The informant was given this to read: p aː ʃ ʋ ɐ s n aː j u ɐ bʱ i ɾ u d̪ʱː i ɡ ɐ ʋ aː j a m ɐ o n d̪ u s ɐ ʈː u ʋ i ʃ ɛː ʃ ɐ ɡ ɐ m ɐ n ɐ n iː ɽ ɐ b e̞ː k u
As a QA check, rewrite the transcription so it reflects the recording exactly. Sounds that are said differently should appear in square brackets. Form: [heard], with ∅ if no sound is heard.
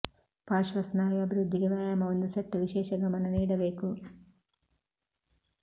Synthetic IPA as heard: p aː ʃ ʋ ɐ s n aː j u ɐ bʱ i ɾ u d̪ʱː i ɡ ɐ ʋ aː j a m ɐ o n d̪ u s ɐ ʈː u ʋ i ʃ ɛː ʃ ɐ ɡ ɐ m ɐ n ɐ n iː ɽ ɐ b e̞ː k u

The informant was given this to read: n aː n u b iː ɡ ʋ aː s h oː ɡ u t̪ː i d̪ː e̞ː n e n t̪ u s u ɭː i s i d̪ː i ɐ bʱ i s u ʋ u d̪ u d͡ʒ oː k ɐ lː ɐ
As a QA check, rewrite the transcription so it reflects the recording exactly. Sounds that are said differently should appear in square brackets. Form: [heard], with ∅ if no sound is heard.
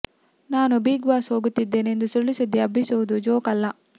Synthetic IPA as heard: n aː n u b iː ɡ ʋ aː s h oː ɡ u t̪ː i d̪ː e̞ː n e n [d̪] u s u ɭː i s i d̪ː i ɐ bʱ i s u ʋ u d̪ u d͡ʒ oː k ɐ lː ɐ

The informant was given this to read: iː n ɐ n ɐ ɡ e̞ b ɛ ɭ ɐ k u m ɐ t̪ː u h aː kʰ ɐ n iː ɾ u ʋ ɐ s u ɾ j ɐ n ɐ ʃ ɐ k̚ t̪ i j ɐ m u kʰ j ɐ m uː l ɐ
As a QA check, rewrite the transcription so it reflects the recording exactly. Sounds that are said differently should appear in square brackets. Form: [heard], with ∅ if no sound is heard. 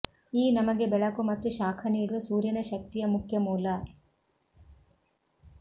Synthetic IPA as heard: iː n ɐ [m] ɐ ɡ e̞ b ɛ ɭ ɐ k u m ɐ t̪ː u [ʃ] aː kʰ ɐ n iː [ɽ] u ʋ ɐ s [uː] ɾ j ɐ n ɐ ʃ ɐ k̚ t̪ i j ɐ m u kʰ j ɐ m uː l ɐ

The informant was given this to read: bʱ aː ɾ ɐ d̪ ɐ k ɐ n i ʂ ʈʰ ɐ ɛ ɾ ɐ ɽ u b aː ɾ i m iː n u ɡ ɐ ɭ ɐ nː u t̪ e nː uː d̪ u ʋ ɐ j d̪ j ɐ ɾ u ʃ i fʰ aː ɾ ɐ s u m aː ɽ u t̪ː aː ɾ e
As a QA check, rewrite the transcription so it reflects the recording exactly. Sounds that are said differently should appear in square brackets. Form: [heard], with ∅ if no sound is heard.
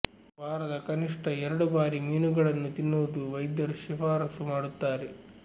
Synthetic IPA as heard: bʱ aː ɾ ɐ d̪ ɐ k ɐ n i ʂ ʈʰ ɐ ɛ ɾ ɐ ɽ u b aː ɾ i m iː n u ɡ ɐ ɭ ɐ nː u t̪ [i] nː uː d̪ u ʋ ɐ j d̪ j ɐ ɾ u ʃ i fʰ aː ɾ ɐ s u m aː ɽ u t̪ː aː ɾ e

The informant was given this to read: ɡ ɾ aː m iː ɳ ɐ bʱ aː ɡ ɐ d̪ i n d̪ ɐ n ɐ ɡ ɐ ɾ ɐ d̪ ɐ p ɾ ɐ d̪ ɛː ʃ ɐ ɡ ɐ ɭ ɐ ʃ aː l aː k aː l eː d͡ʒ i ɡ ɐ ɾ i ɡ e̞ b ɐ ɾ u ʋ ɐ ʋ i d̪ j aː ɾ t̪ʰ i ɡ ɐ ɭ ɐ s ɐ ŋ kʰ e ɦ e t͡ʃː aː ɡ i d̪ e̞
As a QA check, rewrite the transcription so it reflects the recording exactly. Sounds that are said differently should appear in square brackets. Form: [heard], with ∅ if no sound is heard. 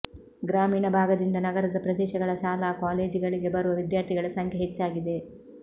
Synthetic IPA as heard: ɡ ɾ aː m iː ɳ ɐ bʱ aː ɡ ɐ d̪ i n d̪ ɐ n ɐ ɡ ɐ ɾ ɐ d̪ ɐ p ɾ ɐ d̪ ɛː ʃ ɐ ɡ ɐ ɭ ɐ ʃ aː l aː k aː l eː d͡ʒ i ɡ ɐ [ɭ] i ɡ e̞ b ɐ ɾ u ʋ ɐ ʋ i d̪ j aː ɾ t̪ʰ i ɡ ɐ ɭ ɐ s ɐ ŋ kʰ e ɦ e t͡ʃː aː ɡ i d̪ e̞

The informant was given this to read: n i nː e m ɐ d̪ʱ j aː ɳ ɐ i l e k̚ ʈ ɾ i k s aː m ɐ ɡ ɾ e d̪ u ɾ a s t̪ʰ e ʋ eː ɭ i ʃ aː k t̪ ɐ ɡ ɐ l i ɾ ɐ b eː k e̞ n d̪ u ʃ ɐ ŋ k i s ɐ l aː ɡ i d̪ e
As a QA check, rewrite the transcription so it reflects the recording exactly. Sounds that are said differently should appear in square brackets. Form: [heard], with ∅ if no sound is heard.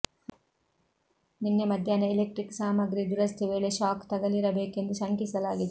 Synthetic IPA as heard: n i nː e m ɐ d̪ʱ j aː [n] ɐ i l e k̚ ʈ ɾ i k s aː m ɐ ɡ ɾ [i] d̪ u ɾ [ɐ] s t̪ʰ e ʋ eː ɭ [e] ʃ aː k t̪ ɐ ɡ ɐ l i ɾ ɐ b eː k e̞ n d̪ u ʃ ɐ ŋ k i s ɐ l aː ɡ i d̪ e

